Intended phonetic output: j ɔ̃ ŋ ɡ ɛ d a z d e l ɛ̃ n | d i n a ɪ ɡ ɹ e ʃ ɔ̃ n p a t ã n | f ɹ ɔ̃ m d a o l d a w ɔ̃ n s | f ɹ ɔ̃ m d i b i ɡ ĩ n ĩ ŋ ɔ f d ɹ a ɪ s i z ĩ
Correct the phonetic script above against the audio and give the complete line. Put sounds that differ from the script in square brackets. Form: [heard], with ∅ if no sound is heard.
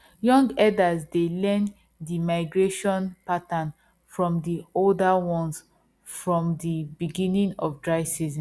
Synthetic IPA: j ɔ̃ ŋ ɡ ɛ d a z d e l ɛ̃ n | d i [m] a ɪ ɡ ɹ e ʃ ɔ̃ n p a t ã n | f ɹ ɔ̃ m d [i] o l d a w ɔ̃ n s | f ɹ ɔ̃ m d i b i ɡ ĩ n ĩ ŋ ɔ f d ɹ a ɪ s i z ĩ